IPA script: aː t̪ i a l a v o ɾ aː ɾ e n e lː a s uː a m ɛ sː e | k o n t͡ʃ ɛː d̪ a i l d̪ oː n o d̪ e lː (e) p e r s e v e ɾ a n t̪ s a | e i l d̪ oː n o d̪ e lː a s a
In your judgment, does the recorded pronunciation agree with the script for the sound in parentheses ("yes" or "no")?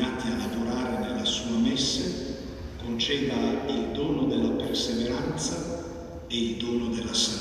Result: no